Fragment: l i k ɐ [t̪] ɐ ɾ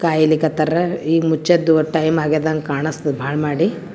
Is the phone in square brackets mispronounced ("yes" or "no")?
no